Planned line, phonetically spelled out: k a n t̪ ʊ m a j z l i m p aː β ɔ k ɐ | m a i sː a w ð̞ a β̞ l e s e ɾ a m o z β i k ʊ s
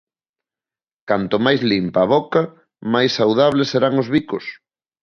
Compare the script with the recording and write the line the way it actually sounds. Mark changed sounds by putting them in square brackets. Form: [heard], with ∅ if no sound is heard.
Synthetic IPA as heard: k a n t̪ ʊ m a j z l i m p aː β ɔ k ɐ | m a [j] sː a w ð̞ a β̞ l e s e ɾ a [ŋ] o z β i k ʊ s